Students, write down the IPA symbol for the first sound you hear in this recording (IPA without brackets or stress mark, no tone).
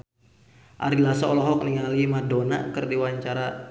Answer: ʔ